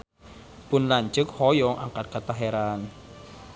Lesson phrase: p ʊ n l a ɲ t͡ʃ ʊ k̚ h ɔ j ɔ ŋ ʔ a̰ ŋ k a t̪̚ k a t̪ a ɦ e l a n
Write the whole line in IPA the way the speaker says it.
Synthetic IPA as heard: p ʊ n l a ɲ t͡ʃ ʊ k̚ h ɔ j ɔ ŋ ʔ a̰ ŋ k a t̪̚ k a t̪ a ɦ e ɾ a n